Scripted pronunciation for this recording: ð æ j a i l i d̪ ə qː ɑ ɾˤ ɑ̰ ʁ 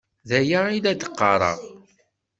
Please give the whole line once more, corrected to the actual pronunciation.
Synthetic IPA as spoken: ð æ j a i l æ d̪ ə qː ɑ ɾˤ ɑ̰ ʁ